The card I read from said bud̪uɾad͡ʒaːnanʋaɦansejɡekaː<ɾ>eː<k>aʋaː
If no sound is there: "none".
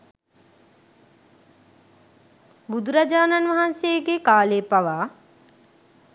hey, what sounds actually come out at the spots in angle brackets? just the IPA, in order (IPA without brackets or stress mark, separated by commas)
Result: l, p